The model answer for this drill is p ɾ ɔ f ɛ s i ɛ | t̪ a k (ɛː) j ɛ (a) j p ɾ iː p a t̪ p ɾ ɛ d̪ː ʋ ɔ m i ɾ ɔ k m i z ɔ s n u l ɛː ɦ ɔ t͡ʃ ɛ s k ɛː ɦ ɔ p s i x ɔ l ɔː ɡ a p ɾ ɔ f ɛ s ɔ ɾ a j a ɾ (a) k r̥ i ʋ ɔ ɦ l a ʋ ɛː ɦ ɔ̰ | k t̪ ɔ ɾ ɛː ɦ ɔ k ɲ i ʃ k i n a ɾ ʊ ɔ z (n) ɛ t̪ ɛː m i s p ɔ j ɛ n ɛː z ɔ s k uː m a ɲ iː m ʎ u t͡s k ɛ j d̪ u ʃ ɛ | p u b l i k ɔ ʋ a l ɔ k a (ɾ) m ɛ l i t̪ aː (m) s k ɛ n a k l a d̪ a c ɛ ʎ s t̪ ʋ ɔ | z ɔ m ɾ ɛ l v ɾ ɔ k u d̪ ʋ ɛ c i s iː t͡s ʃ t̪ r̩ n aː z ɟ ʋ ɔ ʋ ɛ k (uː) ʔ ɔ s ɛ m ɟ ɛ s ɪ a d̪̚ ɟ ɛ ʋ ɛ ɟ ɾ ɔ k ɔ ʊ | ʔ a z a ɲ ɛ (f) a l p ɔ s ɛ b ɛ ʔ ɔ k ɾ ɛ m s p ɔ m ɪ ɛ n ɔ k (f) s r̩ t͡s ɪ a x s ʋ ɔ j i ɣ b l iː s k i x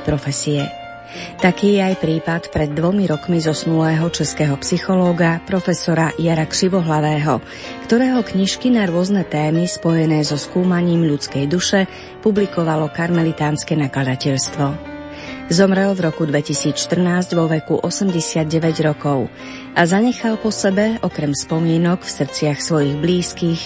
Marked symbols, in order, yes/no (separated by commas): no, yes, yes, yes, yes, no, no, no, yes